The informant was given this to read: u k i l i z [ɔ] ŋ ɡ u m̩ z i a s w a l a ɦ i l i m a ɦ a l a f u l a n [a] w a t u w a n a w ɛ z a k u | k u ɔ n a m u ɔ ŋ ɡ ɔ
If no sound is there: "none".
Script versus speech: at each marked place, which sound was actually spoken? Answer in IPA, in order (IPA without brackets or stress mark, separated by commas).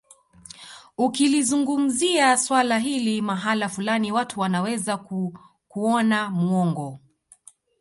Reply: u, i